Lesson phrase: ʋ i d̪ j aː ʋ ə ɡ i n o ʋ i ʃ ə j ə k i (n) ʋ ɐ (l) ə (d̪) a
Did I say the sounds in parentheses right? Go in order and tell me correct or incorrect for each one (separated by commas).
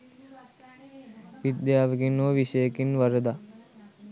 correct, incorrect, correct